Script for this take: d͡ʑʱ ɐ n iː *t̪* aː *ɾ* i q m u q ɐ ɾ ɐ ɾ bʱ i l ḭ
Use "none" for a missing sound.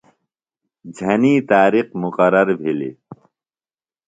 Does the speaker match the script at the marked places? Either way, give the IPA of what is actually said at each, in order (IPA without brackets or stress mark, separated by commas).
t̪, ɾ